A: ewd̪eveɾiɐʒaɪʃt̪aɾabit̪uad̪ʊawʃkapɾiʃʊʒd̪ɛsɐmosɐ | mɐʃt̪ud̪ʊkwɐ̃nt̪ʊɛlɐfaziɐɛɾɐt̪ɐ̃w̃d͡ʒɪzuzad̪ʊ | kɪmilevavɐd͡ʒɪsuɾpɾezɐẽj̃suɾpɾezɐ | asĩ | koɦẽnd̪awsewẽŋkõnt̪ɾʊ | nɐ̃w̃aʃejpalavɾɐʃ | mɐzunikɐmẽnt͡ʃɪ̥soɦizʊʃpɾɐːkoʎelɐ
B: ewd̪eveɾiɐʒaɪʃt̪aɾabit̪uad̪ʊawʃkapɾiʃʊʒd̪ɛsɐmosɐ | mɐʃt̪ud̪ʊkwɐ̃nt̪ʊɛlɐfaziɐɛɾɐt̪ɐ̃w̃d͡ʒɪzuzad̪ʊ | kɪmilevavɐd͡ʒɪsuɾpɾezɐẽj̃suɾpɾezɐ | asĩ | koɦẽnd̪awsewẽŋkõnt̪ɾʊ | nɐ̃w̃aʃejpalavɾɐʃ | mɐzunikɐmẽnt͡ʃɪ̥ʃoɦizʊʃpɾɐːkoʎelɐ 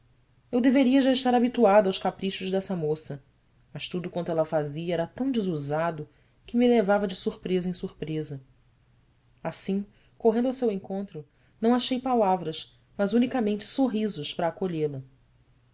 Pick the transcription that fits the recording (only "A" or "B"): A